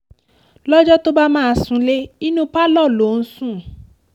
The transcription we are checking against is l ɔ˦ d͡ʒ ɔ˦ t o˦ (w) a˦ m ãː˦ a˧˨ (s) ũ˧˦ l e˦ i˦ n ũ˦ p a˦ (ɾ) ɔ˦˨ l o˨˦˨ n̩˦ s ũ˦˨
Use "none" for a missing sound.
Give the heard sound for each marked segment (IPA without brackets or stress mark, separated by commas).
b, s, l